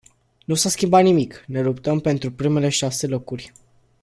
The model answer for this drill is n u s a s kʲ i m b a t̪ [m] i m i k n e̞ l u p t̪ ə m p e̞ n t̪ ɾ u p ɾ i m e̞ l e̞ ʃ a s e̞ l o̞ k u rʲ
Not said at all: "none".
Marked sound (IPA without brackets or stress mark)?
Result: n